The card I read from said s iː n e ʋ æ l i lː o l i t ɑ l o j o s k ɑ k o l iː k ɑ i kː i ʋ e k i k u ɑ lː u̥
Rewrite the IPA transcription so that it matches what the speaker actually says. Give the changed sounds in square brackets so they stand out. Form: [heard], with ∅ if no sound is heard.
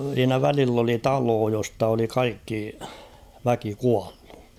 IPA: s iː n [æ] ʋ æ l i lː o l i t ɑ l [oː] j o s [t] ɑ [∅] o l [i] k ɑ i kː i ʋ [æ] k i k u ɑ lː u̥

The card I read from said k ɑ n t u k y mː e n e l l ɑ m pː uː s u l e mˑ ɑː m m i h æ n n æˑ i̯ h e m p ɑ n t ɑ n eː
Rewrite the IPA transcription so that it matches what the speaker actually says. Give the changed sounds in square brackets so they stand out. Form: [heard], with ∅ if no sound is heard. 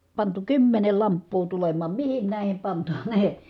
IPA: [p] ɑ n t u k y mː e n e l l ɑ m pː uː [t] u l e mˑ ɑː m m i h [i] n n æˑ i̯ h e m p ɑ n t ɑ n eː

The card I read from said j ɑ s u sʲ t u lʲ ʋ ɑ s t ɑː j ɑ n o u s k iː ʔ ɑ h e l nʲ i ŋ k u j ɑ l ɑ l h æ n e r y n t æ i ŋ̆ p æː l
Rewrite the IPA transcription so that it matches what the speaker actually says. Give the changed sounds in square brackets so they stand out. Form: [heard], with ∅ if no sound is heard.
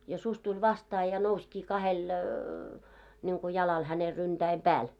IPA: j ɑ s u sʲ t u lʲ ʋ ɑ s t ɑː j ɑ n o u s k iː [k] ɑ h e l nʲ i ŋ k u j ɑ l ɑ l h æ n e r y n t æ i [m̆] p æː l

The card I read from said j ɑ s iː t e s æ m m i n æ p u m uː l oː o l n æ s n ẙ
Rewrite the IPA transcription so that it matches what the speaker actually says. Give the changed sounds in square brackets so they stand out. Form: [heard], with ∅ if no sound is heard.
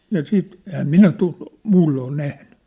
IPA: j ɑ s iː t e [h] æ m m i n æ [t] u m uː [lː] oː o l n æ [h] n ẙ

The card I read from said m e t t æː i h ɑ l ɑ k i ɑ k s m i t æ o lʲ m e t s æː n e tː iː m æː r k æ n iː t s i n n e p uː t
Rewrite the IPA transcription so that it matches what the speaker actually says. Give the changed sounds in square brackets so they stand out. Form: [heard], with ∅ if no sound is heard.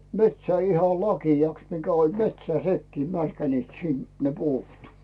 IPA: m e t [s] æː i h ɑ l ɑ k i ɑ k s m i [k] æ o lʲ m e t s æː n e [kː] iː m [æ] r k æ n iː t s i n n e p uː t

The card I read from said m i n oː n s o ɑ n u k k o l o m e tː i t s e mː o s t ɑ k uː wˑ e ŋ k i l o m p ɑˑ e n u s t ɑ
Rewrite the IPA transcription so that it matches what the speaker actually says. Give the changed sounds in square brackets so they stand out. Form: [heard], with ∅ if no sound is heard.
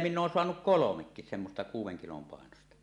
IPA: m i [nː] oː n s o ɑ n u k k o l o m e [kː] i [s] s e mː o s t ɑ k uː wˑ e ŋ k i l o m p ɑˑ e n [o] s t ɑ

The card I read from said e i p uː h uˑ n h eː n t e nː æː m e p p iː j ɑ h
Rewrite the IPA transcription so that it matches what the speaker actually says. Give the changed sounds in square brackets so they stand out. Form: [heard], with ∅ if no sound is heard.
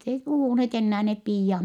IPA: e i p [u] h uˑ n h eː [∅] t e nː æː [n] e p p iː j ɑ h

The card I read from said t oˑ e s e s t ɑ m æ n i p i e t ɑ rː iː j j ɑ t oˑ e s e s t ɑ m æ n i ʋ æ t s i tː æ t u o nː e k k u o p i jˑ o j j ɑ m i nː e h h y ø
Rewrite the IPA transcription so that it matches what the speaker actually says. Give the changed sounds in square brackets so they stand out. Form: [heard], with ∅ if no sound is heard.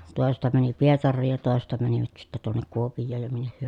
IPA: t oˑ e s e s t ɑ m æ n i p i e t ɑ rː iː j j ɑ t oˑ e s e s t ɑ m æ n i ʋ æ t s i tː æ t u o nː e k k u o p i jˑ [oː] j j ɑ m i nː e h h y ø

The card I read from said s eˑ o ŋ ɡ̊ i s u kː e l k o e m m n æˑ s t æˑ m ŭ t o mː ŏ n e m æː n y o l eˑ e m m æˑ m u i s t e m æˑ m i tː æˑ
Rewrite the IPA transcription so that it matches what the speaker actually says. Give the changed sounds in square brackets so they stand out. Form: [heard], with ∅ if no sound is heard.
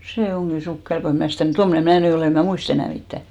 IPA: s eˑ o ŋ ɡ̊ i s u kː e l k o e m m n æˑ s t æˑ m ŭ t o mː ŏ n e m æː n y o l eˑ e m m æˑ m u i s t e [n] æˑ m i tː æˑ

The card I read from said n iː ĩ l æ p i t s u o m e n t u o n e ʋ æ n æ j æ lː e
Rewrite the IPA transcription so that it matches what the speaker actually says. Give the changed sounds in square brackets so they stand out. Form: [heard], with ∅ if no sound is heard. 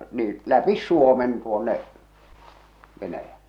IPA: n iː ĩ l æ p i [s] s u o m e n t u o [nː] e ʋ [e] n æ j æ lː e

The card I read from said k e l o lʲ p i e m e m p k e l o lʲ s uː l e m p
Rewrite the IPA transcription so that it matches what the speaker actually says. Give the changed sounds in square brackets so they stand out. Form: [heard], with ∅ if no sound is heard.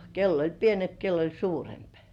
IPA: k e [lː] o lʲ p i e [n] e m p k e [lː] o lʲ s uː [r] e m p

